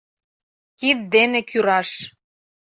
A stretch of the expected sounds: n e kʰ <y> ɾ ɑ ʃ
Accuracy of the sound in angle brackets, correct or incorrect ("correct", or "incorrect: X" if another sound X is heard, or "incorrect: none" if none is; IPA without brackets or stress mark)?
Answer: correct